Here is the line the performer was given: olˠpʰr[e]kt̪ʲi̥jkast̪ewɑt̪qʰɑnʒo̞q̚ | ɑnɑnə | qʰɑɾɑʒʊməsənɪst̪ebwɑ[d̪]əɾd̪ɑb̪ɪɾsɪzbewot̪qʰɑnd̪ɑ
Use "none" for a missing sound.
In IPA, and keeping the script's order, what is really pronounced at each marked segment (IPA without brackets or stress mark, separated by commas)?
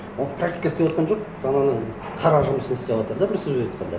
a, t̪